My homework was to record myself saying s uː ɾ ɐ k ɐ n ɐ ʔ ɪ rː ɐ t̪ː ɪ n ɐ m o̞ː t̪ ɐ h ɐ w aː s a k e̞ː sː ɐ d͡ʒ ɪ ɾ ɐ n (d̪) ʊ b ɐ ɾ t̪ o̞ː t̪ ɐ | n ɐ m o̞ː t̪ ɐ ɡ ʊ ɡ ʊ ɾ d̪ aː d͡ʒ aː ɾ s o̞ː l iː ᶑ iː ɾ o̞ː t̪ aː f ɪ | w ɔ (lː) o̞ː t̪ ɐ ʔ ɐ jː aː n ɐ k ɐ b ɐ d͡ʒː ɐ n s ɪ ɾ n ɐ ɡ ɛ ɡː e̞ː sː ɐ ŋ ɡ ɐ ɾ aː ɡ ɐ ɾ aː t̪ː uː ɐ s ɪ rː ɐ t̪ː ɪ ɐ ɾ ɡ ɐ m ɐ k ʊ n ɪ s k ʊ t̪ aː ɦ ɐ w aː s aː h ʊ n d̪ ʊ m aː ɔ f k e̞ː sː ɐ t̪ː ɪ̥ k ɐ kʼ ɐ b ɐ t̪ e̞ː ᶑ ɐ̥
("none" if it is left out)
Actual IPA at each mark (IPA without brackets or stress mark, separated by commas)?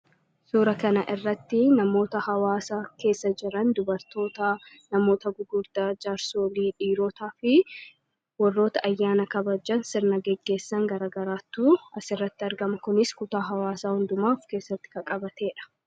d̪, rː